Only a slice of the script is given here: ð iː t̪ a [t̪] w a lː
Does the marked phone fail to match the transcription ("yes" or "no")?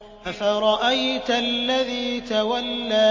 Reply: yes